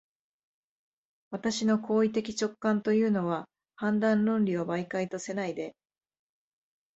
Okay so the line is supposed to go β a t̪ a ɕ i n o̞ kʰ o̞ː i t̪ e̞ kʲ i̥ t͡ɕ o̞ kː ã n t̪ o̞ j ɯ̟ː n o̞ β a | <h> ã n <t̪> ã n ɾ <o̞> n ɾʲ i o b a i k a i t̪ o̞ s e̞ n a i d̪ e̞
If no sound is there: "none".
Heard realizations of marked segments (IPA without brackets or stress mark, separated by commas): h, d̪, õ̞